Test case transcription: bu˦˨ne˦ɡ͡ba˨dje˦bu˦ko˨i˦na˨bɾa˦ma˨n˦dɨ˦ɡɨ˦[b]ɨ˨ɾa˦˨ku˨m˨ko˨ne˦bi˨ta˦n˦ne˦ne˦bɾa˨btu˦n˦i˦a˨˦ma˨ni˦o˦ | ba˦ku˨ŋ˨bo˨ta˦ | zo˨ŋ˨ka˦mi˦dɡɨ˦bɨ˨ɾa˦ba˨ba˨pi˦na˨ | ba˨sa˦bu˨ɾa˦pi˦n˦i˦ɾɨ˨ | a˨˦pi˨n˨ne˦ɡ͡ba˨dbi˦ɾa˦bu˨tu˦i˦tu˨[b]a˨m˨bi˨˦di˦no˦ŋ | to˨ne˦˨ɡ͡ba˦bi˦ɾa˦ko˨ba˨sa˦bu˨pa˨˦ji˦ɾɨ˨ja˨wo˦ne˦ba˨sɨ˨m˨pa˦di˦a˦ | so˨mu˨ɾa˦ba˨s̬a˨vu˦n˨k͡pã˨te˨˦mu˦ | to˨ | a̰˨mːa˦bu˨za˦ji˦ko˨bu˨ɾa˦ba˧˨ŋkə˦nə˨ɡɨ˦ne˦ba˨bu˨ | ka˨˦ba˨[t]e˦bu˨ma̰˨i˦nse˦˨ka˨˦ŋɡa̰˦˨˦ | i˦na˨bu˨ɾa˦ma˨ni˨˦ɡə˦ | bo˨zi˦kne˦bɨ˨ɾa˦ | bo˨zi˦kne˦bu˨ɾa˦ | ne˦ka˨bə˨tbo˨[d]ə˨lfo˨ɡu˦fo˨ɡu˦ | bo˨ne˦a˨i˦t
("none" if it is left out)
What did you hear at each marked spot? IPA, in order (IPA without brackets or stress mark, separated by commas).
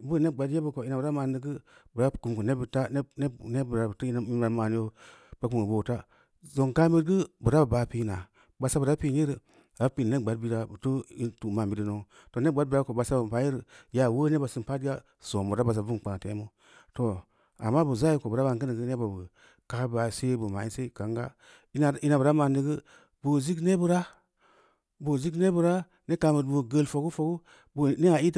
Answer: b, m, s, ɡ